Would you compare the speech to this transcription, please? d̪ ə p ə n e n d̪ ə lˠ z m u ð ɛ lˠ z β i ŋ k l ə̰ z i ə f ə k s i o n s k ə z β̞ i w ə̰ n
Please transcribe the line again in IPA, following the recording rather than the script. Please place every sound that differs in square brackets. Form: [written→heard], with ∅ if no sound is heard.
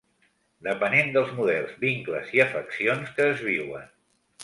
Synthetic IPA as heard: d̪ ə p ə n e n d̪ ə lˠ z m u ð ɛ lˠ z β i ŋ k l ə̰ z i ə f ə k s i o n s k [ə→əː] z β̞ i w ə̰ n